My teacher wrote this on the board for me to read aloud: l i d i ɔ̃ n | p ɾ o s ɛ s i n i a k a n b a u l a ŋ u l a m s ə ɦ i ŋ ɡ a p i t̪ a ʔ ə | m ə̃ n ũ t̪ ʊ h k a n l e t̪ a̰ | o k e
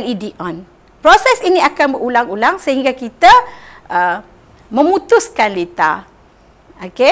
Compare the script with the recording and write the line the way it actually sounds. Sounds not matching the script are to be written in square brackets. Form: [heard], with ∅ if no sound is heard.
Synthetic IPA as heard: l i d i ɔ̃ n | p ɾ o s ɛ s i n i a k a n b [ə] u l a ŋ u l a [ŋ] s ə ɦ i ŋ ɡ a [k] i t̪ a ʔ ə | m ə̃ [m] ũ t̪ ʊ [s] k a n l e t̪ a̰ | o k e

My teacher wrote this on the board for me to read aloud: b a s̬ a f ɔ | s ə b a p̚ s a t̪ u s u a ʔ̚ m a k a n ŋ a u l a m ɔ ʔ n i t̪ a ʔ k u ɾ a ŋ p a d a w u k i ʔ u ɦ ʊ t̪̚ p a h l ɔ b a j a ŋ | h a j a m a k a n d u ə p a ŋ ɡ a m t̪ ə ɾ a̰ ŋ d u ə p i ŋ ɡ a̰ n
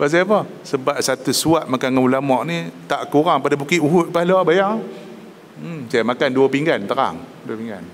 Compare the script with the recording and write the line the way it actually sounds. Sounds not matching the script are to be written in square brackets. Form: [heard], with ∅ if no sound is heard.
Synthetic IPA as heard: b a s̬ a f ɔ | s ə b a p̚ s a t̪ u s u a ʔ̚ m a k a n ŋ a u l a m ɔ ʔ n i t̪ a ʔ k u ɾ a ŋ p a d a [b] u k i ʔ u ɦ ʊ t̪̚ p a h l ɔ b a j a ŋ | [s] a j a m a k a n d u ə p [i] ŋ ɡ a [n] t̪ ə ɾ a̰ ŋ d u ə p i ŋ ɡ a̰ n

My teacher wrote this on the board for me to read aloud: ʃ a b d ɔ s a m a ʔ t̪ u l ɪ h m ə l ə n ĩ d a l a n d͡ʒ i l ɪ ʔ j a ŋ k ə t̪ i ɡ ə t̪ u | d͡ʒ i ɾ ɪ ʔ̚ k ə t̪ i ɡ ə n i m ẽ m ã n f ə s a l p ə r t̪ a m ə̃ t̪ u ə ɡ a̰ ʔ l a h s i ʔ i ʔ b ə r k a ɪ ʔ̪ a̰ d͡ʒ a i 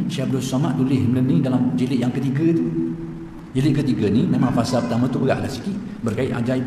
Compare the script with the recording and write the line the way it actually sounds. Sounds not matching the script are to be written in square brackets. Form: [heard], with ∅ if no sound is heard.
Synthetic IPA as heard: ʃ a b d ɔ s a m a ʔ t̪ u l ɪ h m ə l ə n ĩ d a l a [m] d͡ʒ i l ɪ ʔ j a ŋ k ə t̪ i ɡ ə t̪ u | d͡ʒ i [l] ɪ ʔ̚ k ə t̪ i ɡ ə n i m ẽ m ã [ŋ] f [a] s a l p ə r t̪ a m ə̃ t̪ u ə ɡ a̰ ʔ l a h s i [k] i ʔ b ə r k a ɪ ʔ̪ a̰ d͡ʒ a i

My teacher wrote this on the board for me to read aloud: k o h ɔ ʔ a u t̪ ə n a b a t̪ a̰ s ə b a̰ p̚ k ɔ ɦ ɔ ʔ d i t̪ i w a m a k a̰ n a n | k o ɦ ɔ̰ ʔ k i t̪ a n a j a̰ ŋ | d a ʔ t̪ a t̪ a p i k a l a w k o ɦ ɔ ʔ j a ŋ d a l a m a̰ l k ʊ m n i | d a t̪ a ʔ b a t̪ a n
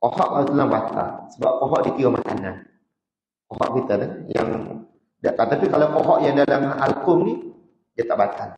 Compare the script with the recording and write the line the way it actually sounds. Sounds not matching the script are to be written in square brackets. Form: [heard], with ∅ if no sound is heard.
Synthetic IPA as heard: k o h ɔ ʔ a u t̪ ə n a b a t̪ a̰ s ə b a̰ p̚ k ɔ ɦ ɔ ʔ d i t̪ i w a m a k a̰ n a n | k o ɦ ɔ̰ ʔ k i t̪ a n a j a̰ ŋ | d a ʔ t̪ a t̪ a p i k a l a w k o ɦ ɔ ʔ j a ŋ d a l a m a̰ l k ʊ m n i | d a t̪ a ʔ b a t̪ a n

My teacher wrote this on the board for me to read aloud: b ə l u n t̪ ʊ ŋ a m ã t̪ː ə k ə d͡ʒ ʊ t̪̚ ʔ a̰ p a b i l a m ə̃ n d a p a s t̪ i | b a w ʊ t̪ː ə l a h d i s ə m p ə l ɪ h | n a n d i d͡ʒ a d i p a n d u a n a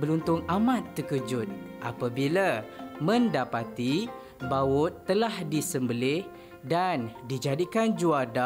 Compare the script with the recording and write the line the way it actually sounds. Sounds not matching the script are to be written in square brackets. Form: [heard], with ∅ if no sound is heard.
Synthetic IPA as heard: b ə l u n t̪ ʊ ŋ a m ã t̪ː ə k ə d͡ʒ ʊ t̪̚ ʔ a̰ p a b i l a m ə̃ n d a p a [∅] t̪ i | b a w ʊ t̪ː ə l a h d i s ə m [b] ə l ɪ h | [d] a n d i d͡ʒ a d i [k] a n [d͡ʒ] u a [d] a

